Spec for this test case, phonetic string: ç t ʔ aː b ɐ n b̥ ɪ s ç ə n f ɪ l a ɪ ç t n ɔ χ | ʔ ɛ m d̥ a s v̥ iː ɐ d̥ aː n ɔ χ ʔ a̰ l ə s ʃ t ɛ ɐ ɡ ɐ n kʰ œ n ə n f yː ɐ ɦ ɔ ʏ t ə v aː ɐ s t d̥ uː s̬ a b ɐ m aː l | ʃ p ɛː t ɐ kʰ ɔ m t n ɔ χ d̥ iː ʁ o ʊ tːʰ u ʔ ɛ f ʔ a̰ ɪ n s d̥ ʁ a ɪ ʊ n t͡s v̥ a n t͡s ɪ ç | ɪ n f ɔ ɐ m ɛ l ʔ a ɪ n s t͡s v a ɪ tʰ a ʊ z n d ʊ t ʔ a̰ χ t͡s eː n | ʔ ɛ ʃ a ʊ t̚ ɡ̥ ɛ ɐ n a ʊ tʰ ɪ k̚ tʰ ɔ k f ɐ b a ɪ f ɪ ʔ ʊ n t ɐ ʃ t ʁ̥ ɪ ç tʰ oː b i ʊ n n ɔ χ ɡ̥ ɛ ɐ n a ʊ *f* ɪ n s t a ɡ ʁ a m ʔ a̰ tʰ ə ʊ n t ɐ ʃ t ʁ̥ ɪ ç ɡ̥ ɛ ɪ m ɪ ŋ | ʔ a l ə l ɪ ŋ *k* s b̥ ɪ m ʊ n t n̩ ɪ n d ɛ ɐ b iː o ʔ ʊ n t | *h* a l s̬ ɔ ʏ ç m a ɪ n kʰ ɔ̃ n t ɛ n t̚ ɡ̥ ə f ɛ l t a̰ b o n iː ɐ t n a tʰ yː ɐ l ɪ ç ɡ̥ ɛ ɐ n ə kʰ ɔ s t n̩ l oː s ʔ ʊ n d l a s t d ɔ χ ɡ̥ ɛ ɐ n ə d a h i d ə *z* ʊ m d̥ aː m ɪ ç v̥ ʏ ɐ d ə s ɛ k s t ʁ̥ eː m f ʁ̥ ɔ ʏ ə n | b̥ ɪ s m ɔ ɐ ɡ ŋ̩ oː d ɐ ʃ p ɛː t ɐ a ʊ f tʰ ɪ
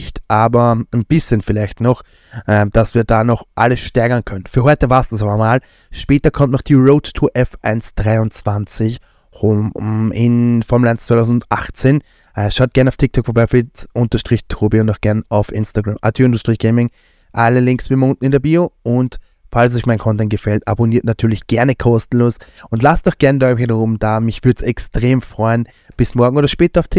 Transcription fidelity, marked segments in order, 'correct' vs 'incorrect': correct, correct, incorrect, incorrect

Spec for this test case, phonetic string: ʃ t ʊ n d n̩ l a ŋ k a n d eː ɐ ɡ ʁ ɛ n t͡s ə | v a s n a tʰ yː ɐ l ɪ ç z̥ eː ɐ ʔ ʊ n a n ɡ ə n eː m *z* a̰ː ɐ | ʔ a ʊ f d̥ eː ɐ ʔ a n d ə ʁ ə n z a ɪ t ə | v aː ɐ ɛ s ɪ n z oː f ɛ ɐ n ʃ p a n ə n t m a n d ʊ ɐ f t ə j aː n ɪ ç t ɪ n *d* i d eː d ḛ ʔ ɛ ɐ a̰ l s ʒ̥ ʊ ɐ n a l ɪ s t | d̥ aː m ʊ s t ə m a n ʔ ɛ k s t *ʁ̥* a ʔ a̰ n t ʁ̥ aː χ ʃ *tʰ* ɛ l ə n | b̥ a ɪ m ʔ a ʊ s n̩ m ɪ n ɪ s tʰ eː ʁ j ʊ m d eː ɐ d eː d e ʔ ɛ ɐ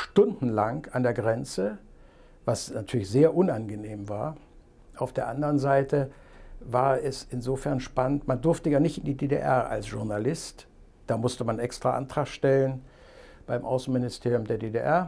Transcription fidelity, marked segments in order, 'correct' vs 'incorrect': incorrect, correct, correct, incorrect

